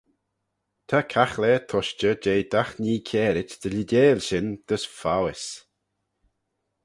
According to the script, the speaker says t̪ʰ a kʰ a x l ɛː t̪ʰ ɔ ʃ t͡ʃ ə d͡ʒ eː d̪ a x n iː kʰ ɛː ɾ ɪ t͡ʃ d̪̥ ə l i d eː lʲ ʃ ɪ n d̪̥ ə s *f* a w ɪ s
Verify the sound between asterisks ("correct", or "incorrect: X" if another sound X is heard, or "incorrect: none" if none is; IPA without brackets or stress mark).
correct